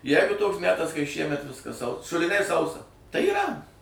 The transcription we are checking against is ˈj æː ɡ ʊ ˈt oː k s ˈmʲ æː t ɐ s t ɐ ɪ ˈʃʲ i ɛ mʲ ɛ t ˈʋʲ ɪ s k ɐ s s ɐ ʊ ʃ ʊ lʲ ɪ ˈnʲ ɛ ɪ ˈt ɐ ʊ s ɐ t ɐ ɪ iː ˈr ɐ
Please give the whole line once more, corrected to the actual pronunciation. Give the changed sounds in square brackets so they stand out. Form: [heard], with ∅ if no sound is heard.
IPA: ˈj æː ɡ ʊ ˈt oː k s ˈmʲ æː t ɐ s [k] ɐ ɪ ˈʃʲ i ɛ mʲ ɛ t ˈʋʲ ɪ s k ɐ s s ɐ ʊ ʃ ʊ lʲ ɪ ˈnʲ ɛ ɪ [ˈs] ɐ ʊ s ɐ t ɐ ɪ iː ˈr ɐ